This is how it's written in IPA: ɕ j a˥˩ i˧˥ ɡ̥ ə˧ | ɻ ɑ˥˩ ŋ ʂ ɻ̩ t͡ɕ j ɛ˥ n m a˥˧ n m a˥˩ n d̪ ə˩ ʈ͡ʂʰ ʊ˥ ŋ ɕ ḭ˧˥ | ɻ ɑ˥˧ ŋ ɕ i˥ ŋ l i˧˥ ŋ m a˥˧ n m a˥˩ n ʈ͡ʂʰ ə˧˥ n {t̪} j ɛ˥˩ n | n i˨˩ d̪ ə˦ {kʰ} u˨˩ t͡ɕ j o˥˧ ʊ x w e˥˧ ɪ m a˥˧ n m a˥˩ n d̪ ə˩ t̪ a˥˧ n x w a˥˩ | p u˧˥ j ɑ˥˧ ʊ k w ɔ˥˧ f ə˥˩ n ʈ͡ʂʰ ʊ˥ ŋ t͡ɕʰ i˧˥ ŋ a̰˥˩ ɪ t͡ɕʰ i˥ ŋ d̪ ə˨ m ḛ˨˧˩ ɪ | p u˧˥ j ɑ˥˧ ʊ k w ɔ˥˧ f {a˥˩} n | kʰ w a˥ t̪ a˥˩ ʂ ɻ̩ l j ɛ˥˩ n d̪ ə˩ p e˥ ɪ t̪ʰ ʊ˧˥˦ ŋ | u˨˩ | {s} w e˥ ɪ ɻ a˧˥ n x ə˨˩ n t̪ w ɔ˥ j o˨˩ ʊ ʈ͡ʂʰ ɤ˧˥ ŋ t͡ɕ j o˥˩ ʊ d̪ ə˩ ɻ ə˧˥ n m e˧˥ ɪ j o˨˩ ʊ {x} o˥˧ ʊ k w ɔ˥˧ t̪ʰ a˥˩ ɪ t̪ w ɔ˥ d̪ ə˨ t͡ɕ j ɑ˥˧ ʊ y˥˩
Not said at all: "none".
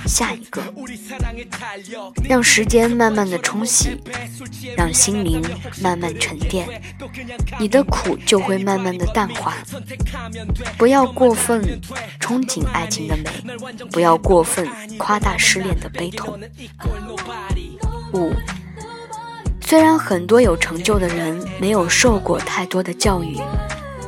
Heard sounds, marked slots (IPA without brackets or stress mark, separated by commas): t̪, kʰ, ə˥˩, s, ʂ